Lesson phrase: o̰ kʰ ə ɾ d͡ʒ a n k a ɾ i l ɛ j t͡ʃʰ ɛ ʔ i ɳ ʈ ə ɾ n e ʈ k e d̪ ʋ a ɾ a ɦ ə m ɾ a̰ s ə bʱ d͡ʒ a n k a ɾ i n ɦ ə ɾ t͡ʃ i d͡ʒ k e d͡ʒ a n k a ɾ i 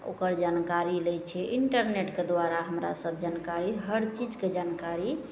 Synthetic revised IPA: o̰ k ə ɾ d͡ʒ a n k a ɾ i l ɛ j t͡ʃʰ ɛ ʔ i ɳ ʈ ə ɾ n e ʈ k e d̪ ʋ a ɾ a ɦ ə m ɾ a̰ s ə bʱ d͡ʒ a n k a ɾ i ɦ ə ɾ t͡ʃ i d͡ʒ k e d͡ʒ a n k a ɾ i